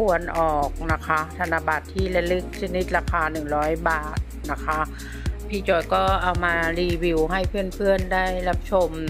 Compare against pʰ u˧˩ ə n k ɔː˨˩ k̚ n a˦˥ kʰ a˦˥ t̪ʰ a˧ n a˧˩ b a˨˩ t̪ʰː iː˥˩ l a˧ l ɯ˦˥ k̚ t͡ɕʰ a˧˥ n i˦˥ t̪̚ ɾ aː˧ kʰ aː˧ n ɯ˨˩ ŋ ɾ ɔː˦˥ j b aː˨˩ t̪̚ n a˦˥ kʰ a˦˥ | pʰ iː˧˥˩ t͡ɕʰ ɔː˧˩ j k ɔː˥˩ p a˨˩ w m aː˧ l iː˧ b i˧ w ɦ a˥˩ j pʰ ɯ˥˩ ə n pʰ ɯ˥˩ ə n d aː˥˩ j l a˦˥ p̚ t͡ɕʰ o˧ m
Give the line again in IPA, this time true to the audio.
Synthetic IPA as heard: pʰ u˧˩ ə n ʔ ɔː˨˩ k̚ n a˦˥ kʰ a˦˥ t̪ʰ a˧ n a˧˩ b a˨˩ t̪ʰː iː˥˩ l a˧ l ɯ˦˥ k̚ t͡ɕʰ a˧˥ n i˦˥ t̪̚ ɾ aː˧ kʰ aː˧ n ɯ˨˩ ŋ ɾ ɔː˦˥ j b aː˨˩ t̪̚ n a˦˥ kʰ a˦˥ | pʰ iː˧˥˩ t͡ɕ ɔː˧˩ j k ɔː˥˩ ʔ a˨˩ w m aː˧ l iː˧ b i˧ w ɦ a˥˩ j pʰ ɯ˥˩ ə n pʰ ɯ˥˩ ə n d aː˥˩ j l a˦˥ p̚ t͡ɕʰ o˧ m